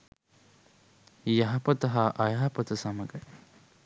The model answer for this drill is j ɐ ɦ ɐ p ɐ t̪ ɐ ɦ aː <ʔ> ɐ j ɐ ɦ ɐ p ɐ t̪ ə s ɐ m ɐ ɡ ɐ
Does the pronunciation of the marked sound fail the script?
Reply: no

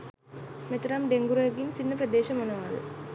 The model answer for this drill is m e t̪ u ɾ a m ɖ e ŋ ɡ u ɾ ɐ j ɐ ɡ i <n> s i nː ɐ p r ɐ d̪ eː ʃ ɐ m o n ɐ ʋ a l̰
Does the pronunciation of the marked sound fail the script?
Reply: no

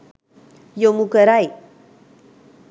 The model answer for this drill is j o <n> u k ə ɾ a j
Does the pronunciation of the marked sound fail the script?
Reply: yes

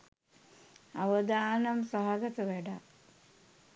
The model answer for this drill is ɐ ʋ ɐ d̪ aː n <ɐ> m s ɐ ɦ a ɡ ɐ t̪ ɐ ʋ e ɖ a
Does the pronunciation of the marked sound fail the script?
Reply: no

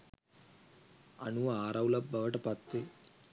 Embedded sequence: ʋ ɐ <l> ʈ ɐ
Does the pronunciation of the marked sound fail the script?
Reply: yes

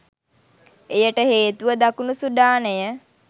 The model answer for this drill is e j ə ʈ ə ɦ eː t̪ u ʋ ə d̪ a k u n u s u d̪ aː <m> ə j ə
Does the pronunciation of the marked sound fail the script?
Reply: yes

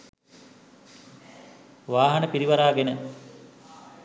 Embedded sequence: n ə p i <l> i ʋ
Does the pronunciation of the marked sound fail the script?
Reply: yes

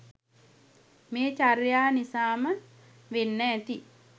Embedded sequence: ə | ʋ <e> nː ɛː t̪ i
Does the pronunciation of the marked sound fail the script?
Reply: no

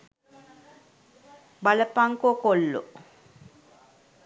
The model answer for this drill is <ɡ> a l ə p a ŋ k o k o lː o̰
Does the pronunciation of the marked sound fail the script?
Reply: yes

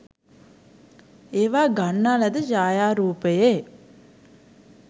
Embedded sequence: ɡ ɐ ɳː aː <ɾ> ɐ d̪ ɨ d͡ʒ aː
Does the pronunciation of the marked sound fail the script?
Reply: yes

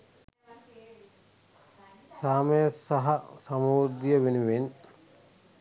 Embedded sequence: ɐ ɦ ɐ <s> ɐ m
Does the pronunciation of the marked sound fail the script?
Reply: no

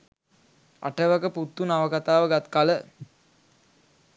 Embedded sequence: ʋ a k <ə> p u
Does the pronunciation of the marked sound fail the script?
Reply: no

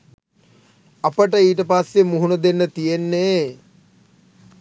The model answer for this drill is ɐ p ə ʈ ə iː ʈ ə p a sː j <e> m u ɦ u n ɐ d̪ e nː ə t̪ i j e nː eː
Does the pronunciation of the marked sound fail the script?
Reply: no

